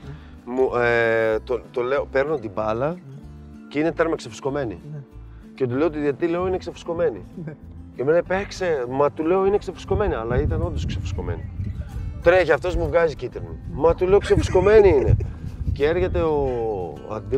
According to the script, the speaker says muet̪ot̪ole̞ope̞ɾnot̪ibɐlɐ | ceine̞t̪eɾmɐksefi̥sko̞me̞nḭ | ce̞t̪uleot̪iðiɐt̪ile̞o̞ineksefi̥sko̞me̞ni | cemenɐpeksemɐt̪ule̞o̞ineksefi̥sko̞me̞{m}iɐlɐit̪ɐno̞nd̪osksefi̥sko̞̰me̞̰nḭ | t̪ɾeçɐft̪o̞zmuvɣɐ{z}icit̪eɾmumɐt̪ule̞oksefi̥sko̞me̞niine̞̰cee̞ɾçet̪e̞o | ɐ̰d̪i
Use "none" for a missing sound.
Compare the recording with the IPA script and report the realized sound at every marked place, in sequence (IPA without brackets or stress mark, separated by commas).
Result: n, z